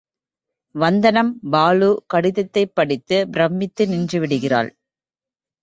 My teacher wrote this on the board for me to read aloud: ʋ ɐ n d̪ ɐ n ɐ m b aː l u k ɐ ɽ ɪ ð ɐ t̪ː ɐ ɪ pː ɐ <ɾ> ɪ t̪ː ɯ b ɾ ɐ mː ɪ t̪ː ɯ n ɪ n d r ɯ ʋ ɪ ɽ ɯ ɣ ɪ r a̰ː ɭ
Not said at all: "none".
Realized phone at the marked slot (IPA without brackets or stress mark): ɽ